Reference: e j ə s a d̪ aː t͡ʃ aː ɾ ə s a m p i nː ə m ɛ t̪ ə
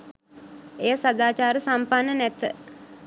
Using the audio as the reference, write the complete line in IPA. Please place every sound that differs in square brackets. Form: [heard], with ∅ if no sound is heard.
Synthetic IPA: e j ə s a d̪ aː t͡ʃ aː ɾ ə s a m p [a] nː ə [n] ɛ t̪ ə